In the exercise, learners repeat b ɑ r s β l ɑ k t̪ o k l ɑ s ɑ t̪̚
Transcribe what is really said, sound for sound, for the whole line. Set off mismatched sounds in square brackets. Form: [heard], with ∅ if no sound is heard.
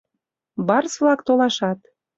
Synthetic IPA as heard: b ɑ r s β l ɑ k t̪ o [∅] l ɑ [ʃ] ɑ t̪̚